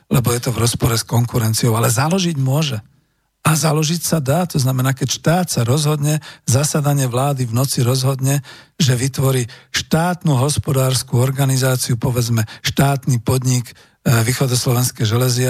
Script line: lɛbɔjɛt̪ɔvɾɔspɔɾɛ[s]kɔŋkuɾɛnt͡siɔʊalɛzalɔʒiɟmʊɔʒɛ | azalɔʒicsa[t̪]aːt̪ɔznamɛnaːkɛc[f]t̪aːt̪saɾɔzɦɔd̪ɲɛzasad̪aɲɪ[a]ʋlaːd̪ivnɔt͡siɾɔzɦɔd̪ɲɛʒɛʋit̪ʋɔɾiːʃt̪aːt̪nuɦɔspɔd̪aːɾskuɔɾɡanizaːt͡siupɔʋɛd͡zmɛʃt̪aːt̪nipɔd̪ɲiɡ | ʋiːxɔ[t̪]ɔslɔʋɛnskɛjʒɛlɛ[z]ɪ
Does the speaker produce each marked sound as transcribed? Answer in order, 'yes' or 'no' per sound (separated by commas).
yes, no, no, no, no, yes